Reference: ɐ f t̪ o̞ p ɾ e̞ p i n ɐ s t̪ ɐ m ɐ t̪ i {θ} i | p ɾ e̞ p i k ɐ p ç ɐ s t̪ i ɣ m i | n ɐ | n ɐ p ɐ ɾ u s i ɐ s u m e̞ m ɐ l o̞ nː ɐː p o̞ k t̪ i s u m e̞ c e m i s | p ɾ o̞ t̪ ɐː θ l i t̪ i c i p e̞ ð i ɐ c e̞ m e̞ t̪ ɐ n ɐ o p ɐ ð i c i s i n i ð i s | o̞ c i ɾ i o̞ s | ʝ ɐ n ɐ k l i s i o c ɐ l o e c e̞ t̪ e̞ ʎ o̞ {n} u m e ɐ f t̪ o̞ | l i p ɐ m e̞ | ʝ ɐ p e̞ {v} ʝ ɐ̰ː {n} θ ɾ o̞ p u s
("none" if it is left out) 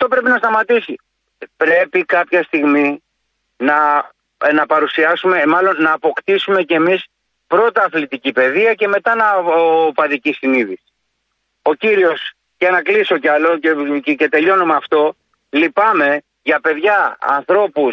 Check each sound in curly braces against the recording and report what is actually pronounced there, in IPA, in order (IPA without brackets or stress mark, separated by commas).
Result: s, n, ð, n